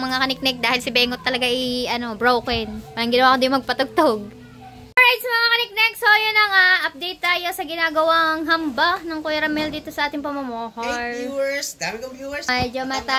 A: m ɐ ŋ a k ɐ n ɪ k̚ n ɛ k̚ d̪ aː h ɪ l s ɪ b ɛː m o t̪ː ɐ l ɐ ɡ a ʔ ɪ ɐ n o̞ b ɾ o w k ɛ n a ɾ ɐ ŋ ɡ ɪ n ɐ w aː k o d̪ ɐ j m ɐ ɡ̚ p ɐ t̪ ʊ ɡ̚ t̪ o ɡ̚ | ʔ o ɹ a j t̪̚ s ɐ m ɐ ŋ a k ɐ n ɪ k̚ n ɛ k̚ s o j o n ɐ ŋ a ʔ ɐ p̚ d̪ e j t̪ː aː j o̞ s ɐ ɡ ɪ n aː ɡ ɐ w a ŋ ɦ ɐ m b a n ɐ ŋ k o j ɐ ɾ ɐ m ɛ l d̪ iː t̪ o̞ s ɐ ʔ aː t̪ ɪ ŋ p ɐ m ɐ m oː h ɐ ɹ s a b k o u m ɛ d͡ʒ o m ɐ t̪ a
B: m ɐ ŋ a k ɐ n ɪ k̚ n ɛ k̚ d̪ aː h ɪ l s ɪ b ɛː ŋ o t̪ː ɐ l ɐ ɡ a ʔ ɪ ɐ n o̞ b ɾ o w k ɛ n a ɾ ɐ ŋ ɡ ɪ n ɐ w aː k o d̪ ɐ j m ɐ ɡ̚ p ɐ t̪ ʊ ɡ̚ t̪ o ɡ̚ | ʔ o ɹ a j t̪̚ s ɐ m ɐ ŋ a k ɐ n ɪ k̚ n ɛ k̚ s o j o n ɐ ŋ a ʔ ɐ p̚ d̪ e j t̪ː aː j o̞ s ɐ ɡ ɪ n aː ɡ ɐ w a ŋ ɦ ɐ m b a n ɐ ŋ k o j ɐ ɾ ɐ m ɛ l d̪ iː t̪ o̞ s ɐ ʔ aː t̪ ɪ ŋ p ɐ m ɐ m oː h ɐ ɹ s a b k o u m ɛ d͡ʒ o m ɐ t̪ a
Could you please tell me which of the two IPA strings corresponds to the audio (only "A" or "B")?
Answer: B